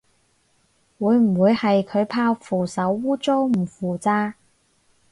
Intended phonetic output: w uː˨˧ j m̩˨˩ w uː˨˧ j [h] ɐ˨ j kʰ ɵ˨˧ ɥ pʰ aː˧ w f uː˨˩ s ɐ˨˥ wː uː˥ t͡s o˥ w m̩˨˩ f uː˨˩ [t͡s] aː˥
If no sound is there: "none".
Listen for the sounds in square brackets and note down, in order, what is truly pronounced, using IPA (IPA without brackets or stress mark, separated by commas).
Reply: h, t͡s